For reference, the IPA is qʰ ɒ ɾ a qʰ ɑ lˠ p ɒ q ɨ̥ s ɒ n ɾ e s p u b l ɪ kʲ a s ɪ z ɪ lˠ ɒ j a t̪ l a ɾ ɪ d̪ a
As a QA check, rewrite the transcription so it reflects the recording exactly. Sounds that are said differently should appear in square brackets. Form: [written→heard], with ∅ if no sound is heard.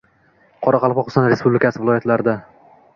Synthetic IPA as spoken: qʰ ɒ ɾ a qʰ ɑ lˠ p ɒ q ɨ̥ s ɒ n ɾ e s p u b l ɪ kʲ a s ɪ [z→v] ɪ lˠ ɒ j a t̪ l a ɾ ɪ d̪ a